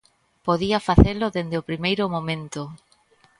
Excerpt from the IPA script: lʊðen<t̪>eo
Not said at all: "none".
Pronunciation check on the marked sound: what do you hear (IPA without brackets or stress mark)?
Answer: d̪